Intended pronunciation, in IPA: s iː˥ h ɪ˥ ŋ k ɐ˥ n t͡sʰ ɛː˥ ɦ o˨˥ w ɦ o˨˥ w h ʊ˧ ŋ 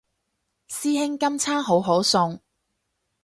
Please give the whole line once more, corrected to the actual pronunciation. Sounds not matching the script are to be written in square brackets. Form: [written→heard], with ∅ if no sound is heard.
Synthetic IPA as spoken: s iː˥ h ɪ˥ ŋ k ɐ˥ [n→m] t͡sʰ [ɛː˥→aː˥] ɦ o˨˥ w ɦ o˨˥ w [h→s] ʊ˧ ŋ